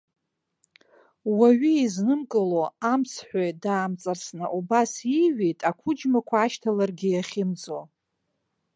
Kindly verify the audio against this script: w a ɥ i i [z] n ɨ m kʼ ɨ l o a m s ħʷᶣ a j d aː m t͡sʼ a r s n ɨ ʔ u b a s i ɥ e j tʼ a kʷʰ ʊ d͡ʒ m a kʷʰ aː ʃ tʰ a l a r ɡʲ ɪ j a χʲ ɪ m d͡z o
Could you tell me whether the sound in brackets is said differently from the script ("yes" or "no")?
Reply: no